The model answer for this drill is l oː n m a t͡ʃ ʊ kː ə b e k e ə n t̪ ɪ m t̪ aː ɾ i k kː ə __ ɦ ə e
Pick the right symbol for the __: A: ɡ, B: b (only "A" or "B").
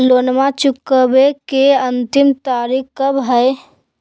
B